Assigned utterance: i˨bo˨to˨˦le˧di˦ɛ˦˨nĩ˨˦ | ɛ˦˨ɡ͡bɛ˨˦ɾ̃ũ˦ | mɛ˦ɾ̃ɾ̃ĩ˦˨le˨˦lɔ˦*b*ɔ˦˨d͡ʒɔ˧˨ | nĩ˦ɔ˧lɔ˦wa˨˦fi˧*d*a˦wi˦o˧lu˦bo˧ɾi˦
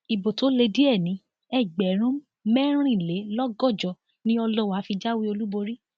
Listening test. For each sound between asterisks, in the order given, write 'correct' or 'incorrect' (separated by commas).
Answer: incorrect, incorrect